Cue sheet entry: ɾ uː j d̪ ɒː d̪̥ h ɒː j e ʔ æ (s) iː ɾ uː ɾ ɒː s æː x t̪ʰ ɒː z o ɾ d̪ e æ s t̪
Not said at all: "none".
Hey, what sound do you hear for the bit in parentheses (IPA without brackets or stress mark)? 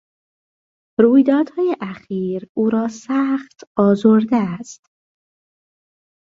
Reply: x